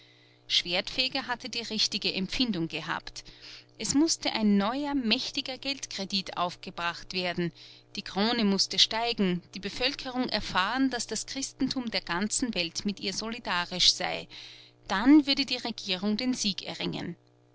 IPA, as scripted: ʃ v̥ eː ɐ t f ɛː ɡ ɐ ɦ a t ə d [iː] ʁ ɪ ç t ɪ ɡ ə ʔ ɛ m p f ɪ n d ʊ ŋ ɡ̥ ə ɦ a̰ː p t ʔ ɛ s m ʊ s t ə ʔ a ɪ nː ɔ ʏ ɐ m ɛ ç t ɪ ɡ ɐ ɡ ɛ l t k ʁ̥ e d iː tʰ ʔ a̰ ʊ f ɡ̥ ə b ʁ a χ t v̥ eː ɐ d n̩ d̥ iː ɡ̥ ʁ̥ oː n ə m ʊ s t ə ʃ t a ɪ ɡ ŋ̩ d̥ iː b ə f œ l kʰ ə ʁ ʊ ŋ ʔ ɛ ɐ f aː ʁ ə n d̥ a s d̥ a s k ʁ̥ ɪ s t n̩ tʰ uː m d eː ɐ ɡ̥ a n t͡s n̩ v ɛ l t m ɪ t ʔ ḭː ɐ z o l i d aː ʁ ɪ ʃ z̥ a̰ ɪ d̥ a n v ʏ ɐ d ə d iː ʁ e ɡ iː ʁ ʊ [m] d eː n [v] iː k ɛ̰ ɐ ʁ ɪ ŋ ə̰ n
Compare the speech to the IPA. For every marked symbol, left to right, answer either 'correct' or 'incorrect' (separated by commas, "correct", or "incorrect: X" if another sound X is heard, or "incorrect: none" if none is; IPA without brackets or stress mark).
correct, incorrect: ŋ, incorrect: z